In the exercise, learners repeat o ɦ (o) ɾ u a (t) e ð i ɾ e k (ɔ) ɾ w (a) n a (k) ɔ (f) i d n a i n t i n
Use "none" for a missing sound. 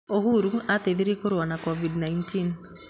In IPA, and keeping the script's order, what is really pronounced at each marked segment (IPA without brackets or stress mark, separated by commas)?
u, t, o, a, k, v